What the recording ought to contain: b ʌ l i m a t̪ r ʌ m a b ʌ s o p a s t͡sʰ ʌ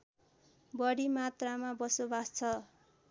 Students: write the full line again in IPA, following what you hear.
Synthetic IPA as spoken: b ʌ ɽ i m a t̪ r a m a b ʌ s o b a s t͡sʰ ʌ